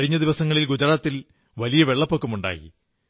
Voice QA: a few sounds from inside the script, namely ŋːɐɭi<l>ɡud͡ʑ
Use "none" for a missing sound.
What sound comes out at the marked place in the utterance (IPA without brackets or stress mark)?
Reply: l